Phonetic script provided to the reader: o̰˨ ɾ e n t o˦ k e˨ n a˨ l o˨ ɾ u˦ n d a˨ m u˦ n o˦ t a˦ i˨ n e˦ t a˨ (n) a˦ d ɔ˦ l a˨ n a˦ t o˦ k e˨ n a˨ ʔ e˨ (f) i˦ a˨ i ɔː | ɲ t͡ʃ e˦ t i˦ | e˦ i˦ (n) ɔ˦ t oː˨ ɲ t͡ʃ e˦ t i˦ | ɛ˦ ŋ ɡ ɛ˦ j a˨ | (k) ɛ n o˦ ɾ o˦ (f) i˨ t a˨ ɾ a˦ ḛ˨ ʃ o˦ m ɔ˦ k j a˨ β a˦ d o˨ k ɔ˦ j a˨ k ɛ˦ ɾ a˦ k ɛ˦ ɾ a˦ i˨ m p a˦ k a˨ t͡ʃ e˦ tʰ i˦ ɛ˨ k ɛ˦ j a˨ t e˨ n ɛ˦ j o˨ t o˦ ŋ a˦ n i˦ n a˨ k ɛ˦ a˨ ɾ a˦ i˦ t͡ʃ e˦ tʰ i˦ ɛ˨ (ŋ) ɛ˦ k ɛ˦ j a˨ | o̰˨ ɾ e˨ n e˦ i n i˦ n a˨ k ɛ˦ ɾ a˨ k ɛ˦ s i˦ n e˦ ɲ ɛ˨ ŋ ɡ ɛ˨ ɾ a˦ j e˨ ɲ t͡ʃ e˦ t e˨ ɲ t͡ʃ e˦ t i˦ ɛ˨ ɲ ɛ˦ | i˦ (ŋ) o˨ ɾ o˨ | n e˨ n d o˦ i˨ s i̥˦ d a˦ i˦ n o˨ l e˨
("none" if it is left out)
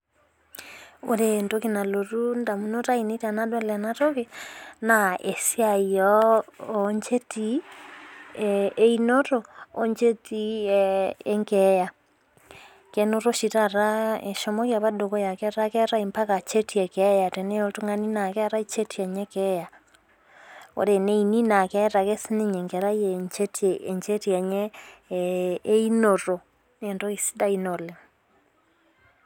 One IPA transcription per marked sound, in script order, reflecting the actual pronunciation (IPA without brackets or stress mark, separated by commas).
n, s, n, k, ʃ, ɲ, n